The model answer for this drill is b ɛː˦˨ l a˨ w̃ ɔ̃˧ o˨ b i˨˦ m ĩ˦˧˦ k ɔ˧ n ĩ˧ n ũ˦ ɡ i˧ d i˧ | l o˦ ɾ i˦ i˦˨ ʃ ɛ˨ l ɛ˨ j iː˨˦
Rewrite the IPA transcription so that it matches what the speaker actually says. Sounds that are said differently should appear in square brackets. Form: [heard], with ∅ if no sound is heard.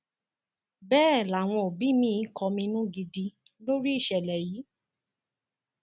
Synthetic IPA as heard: b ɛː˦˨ l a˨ w̃ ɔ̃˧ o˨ b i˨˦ m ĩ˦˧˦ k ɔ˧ [m] ĩ˧ n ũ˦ ɡ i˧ d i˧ | l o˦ ɾ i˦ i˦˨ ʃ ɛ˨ l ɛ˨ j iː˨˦

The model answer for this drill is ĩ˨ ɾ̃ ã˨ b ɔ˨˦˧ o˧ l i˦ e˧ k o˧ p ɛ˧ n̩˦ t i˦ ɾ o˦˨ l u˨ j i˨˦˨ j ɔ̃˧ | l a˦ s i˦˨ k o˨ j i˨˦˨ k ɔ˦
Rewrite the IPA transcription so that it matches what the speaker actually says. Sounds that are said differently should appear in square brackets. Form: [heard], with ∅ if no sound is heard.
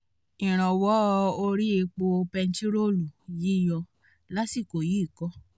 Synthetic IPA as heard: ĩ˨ ɾ̃ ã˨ [w] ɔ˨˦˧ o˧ [ɾ] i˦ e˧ [k͡p] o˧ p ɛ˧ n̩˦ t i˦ ɾ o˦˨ l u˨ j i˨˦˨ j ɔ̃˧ | l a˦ s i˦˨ k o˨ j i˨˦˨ k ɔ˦

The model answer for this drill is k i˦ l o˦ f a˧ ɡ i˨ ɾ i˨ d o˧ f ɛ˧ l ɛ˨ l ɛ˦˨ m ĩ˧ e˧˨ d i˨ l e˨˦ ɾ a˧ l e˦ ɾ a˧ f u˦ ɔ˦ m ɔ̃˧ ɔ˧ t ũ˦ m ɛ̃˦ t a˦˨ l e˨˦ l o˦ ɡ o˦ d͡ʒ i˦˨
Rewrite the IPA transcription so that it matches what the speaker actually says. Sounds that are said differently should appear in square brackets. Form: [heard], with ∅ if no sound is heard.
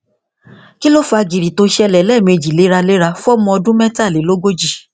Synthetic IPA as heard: k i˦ l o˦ f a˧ ɡ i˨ ɾ i˨ [t] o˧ [ʃ] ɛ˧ l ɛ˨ l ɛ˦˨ m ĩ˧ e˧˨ [d͡ʒ] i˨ l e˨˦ ɾ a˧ l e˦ ɾ a˧ f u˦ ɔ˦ m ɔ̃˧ ɔ˧ [d] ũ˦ m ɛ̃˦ t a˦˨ l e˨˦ l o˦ ɡ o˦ d͡ʒ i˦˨

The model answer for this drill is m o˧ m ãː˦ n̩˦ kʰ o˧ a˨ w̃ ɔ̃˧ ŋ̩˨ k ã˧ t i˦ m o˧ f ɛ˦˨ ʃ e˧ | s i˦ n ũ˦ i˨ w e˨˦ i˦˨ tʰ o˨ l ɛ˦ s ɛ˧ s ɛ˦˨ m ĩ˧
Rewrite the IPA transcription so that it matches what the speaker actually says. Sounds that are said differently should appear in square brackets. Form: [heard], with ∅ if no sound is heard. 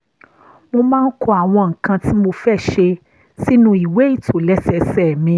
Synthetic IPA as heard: m o˧ m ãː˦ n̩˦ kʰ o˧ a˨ w̃ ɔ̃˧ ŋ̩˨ k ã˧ t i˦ m o˧ f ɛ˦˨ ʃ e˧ | s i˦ n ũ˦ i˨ w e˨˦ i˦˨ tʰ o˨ l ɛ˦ s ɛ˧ s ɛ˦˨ m ĩ˧

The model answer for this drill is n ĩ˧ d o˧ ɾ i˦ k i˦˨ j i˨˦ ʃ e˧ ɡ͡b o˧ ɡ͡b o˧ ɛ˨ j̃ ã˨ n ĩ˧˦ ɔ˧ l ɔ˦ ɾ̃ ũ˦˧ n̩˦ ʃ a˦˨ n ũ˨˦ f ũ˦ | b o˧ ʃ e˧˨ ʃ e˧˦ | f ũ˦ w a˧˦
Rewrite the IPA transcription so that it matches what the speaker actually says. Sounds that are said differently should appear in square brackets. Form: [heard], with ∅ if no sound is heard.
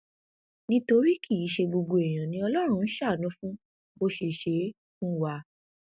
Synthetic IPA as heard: n ĩ˧ [t] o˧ ɾ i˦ k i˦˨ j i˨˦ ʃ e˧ ɡ͡b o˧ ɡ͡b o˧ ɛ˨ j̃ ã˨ n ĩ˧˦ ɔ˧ l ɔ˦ ɾ̃ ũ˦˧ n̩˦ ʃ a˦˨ n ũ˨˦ f ũ˦ | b o˧ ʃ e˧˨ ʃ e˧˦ | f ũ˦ w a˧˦

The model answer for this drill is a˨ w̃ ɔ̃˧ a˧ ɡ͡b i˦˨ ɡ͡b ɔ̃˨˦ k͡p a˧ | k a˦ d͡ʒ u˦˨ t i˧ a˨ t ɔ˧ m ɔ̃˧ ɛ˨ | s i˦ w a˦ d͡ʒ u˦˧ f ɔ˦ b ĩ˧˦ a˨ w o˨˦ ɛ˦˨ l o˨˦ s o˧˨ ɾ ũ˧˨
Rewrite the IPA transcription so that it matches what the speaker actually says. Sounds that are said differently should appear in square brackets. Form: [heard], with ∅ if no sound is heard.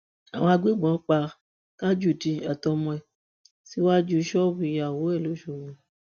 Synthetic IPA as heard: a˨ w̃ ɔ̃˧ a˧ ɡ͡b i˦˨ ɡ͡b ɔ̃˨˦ k͡p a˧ | k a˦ d͡ʒ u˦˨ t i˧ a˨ t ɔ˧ m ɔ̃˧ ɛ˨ | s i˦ w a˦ d͡ʒ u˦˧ [ʃ] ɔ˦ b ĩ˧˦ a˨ w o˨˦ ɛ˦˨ l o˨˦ [ʃ] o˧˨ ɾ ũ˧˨

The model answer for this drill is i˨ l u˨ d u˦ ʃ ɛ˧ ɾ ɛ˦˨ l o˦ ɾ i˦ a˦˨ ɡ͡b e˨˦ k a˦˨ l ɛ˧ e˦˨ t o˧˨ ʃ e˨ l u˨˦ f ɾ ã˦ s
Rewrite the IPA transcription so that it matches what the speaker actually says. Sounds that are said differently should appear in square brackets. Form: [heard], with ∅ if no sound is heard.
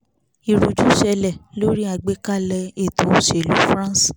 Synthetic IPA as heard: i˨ [ɾ] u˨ [d͡ʒ] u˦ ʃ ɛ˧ [l] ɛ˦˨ l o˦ ɾ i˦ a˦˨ ɡ͡b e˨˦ k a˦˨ l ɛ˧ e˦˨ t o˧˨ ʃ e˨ l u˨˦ f ɾ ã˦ s

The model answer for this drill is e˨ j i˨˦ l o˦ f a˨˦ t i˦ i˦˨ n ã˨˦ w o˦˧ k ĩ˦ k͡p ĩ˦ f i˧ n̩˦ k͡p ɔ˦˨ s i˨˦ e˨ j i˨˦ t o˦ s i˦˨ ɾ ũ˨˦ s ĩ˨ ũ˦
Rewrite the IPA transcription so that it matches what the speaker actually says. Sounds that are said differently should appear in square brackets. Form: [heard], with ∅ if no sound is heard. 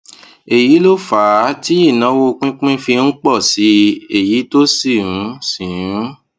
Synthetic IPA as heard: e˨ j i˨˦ l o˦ f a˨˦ t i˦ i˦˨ n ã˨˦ w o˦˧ [k͡p] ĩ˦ k͡p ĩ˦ f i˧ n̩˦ k͡p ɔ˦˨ s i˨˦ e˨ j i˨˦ t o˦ s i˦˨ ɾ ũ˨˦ s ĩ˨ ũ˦

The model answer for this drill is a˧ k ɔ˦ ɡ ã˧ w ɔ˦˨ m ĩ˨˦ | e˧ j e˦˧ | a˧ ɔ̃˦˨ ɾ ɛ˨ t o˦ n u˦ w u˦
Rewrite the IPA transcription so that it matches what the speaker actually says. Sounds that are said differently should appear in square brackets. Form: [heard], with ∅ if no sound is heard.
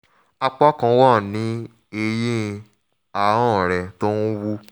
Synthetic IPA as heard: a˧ [k͡p] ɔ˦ [k] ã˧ w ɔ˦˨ [n] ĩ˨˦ | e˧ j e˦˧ | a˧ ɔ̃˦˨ ɾ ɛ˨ t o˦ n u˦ w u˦

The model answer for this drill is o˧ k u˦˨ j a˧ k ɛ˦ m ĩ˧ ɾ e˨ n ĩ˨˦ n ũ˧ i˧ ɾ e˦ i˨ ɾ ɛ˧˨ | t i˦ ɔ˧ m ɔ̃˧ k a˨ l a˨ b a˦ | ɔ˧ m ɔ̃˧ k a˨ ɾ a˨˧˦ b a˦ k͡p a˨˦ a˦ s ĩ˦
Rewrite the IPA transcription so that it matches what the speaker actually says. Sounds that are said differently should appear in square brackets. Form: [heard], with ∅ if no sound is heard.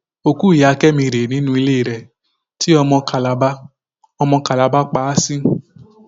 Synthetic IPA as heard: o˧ k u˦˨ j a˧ k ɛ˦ m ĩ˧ ɾ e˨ n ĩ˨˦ n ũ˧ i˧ [l] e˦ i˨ ɾ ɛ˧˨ | t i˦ ɔ˧ m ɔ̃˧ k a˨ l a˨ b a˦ | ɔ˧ m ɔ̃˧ k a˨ [l] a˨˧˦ b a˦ k͡p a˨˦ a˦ s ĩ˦

